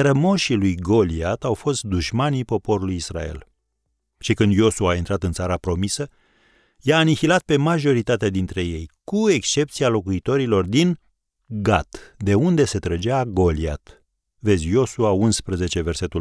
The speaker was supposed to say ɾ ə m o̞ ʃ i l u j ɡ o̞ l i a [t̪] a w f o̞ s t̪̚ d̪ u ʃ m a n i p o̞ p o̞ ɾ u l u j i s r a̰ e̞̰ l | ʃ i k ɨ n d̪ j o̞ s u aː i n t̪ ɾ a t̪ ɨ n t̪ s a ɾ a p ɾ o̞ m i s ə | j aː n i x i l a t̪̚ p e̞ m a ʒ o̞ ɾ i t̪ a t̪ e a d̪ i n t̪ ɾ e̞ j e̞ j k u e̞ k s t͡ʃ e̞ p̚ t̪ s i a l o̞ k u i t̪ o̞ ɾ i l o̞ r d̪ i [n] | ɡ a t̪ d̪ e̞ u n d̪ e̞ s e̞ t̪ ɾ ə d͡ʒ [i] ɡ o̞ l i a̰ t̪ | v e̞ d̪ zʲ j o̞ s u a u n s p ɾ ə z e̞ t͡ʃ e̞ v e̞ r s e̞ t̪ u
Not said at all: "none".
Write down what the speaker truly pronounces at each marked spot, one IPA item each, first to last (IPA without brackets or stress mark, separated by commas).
t̪, n, a